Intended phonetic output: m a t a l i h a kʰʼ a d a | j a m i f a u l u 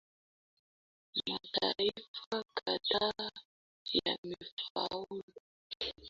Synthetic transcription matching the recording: m a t a ɾ i f a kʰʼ a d a | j a m i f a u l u